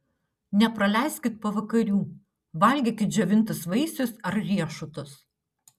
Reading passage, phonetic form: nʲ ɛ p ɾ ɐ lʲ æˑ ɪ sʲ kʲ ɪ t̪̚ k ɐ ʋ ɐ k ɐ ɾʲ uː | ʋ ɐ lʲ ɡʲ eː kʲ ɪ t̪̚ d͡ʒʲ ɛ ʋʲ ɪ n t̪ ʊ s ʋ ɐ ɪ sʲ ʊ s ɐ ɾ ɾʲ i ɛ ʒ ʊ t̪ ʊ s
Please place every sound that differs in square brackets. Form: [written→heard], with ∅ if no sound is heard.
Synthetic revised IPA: nʲ ɛ p ɾ ɐ lʲ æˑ ɪ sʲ kʲ ɪ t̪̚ [k→p] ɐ ʋ ɐ k ɐ ɾʲ uː | ʋ ɐ lʲ ɡʲ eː kʲ ɪ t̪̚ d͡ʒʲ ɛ ʋʲ ɪ n t̪ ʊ s ʋ ɐ ɪ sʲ ʊ s ɐ ɾ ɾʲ i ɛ [ʒ→ʃ] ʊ t̪ ʊ s